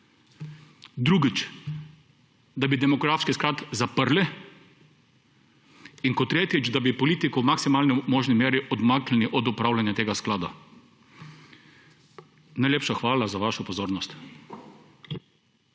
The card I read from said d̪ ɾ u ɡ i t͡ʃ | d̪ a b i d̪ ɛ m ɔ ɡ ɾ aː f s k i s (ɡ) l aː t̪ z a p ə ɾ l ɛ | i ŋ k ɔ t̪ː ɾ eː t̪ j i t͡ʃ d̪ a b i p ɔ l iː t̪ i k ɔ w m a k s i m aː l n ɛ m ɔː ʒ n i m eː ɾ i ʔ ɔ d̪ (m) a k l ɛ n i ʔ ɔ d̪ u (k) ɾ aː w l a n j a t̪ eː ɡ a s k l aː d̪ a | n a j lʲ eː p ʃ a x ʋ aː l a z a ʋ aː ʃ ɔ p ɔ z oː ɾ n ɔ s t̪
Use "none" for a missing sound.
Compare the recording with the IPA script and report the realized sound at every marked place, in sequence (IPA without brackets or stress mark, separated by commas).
k, m, p